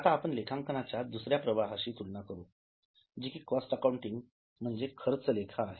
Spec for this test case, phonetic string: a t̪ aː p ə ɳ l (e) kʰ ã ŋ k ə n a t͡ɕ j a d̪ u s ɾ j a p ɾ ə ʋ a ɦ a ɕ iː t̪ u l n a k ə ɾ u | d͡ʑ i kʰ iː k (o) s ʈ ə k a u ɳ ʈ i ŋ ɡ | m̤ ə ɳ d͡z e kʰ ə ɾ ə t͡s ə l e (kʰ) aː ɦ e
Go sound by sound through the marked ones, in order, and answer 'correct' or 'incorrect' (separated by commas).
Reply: correct, incorrect, correct